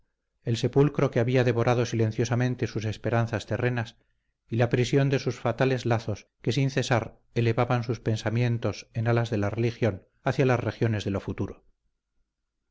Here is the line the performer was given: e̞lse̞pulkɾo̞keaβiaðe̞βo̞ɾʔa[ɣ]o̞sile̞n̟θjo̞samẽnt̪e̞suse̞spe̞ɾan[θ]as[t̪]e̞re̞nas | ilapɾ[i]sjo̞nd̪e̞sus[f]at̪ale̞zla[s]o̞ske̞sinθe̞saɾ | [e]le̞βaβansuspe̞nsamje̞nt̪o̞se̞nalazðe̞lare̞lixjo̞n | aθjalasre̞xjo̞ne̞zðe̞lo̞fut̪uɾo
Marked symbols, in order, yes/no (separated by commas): no, yes, yes, yes, yes, no, yes